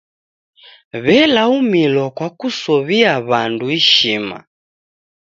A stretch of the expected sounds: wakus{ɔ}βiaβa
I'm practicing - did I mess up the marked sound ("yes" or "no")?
no